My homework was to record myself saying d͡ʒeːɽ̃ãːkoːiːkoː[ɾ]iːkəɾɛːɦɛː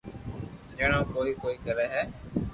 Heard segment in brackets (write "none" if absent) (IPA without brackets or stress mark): none